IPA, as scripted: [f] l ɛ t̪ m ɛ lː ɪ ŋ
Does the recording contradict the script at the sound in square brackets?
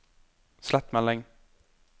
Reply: yes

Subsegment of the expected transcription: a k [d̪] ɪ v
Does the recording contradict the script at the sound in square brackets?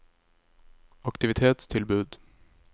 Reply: yes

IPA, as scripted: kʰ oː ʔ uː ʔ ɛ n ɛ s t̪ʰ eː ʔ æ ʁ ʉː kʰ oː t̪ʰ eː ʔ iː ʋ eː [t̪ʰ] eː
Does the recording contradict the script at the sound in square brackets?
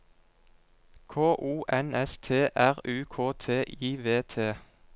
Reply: no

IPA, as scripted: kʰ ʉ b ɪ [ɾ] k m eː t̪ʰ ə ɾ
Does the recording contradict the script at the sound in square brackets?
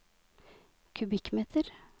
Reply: yes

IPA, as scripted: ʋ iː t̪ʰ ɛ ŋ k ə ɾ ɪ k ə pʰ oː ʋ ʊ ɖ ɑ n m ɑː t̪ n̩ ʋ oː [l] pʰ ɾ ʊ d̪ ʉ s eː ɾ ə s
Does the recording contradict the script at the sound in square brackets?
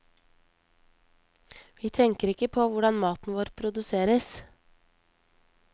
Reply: yes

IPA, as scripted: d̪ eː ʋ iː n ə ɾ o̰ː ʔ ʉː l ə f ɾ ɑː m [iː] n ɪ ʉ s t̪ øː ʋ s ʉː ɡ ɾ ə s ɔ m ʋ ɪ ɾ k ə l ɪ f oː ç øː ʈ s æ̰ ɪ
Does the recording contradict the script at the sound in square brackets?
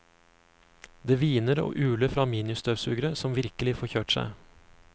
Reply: no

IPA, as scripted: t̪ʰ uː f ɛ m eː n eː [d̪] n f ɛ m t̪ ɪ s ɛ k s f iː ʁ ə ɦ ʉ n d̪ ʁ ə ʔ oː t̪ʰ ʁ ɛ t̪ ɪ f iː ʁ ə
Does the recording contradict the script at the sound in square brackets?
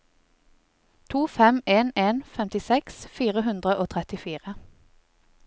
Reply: yes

